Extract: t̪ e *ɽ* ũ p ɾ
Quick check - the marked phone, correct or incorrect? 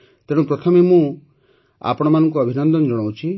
correct